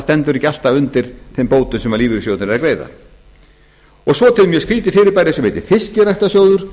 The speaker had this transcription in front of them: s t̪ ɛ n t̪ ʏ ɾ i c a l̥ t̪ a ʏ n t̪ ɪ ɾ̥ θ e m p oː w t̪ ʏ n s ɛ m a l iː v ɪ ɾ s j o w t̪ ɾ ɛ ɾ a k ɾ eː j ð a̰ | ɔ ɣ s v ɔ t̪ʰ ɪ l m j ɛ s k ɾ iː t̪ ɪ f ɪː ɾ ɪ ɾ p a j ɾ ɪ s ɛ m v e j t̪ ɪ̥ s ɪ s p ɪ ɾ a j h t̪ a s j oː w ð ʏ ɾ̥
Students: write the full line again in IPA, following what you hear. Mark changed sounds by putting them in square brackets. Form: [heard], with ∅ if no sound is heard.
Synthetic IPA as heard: s t̪ ɛ n t̪ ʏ ɾ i c a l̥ t̪ a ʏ n t̪ ɪ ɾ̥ θ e m p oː w t̪ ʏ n s ɛ m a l iː v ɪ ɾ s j o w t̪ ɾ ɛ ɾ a k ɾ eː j ð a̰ | ɔ ɣ s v ɔ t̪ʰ ɪ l m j ɛ s k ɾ iː t̪ ɪ f ɪː ɾ ɪ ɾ p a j ɾ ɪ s ɛ m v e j t̪ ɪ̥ [f] ɪ s [c] ɪ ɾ a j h t̪ a s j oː w ð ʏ ɾ̥